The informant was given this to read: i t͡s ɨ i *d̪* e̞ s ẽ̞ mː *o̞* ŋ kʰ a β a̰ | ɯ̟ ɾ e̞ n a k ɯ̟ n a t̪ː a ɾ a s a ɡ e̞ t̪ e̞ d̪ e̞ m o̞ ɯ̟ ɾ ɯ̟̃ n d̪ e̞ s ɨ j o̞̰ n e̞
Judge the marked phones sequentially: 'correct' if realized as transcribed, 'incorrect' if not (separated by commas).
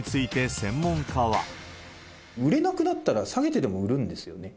incorrect, incorrect